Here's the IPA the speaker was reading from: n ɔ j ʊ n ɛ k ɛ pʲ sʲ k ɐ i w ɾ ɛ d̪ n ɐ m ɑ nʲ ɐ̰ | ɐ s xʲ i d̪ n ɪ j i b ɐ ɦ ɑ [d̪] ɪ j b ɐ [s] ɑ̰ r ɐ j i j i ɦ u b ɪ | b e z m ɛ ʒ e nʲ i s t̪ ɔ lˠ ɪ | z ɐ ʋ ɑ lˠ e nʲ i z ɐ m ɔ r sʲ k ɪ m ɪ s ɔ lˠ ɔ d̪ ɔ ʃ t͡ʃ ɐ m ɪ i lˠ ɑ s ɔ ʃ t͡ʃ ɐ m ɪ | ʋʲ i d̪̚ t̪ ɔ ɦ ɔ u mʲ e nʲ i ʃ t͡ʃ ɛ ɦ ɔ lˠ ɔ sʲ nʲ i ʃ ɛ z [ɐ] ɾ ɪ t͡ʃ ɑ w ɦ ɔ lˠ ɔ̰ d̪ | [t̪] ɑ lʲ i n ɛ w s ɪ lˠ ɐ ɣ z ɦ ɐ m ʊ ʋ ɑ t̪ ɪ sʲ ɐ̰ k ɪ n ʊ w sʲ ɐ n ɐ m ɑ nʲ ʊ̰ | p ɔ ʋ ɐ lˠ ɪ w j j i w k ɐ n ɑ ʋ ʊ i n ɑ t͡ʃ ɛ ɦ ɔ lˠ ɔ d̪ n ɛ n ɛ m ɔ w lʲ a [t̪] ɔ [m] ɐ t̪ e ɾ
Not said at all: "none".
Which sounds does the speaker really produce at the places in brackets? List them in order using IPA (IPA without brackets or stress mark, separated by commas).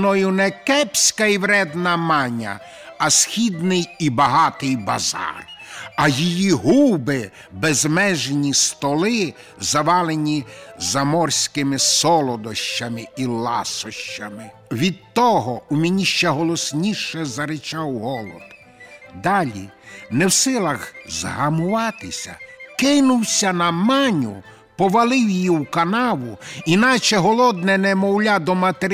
t̪, z, ɐ, d̪, d̪, m